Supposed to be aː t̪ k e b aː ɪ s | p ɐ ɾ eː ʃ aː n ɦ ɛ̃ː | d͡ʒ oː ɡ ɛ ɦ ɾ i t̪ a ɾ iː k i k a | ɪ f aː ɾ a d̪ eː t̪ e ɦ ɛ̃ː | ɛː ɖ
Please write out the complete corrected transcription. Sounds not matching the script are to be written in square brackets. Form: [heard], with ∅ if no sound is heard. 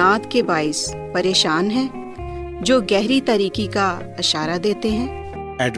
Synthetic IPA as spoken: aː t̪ k e b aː ɪ s | p ɐ ɾ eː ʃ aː n ɦ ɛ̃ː | d͡ʒ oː ɡ ɛ ɦ ɾ i t̪ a ɾ iː k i k a | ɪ [ʃ] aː ɾ a d̪ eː t̪ e ɦ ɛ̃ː | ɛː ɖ